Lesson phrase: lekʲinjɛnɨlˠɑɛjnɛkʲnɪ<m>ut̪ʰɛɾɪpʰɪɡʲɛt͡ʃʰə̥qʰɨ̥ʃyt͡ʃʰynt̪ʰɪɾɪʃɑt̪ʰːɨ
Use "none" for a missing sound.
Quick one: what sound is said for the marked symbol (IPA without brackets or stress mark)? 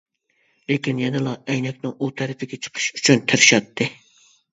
ŋ